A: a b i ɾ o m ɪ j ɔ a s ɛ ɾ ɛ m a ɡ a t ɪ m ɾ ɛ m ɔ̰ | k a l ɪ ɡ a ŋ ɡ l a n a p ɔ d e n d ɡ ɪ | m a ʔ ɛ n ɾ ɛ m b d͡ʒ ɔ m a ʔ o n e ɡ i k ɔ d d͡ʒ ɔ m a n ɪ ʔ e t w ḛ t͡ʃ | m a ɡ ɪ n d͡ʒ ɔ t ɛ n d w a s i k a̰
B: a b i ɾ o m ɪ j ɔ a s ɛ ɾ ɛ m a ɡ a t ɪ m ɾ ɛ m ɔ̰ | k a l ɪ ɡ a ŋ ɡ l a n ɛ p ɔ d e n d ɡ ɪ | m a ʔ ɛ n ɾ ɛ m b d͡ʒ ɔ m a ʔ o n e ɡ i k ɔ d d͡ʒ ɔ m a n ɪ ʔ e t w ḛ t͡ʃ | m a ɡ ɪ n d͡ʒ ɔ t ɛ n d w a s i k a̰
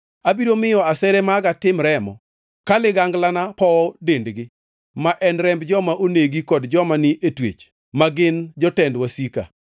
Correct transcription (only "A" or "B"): A